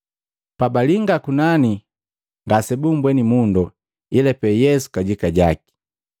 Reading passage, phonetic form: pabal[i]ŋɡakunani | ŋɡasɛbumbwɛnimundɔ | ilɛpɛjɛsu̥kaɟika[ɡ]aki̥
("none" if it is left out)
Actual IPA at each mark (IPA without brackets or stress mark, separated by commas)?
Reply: i, ɟ